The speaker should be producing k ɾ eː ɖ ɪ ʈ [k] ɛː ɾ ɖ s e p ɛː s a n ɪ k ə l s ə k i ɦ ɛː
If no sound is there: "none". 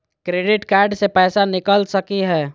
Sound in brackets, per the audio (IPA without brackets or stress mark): k